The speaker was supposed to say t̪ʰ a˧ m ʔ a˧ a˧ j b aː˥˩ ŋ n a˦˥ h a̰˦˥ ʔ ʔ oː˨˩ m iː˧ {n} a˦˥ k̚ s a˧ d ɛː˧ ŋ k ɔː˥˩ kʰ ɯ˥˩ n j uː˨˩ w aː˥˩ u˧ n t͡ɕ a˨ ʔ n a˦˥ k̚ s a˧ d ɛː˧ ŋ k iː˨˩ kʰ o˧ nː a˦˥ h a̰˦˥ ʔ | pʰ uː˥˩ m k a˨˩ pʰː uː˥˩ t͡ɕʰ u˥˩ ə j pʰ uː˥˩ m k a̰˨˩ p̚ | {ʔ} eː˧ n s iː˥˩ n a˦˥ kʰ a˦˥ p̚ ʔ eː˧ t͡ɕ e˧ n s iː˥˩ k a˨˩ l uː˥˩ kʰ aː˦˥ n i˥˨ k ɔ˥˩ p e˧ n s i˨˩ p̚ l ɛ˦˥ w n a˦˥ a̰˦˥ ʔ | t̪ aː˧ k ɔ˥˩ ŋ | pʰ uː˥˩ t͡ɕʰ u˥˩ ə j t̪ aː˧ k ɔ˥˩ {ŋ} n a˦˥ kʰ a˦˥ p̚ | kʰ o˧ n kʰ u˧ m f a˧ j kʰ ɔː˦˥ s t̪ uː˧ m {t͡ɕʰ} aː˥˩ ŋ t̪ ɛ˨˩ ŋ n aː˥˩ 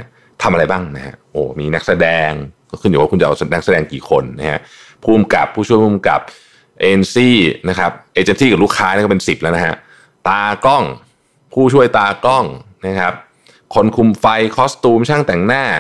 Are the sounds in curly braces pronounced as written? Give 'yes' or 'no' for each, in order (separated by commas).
yes, yes, yes, yes